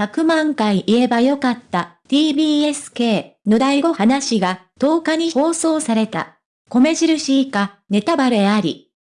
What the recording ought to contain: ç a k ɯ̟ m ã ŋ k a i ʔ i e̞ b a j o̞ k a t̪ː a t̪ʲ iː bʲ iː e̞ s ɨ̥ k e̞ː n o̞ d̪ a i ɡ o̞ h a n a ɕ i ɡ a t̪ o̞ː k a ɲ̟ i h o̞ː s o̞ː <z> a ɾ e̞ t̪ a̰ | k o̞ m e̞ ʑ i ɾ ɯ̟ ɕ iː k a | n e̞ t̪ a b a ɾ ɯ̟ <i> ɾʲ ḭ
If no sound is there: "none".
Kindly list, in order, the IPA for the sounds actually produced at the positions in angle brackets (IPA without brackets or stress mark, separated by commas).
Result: s, a